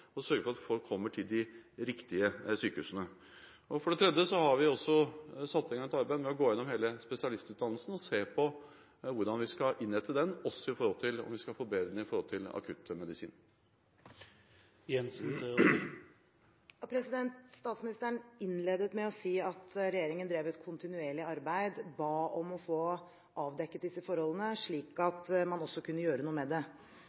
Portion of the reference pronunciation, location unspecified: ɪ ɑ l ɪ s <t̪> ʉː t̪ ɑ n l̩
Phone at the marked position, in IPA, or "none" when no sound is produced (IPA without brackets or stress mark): t̪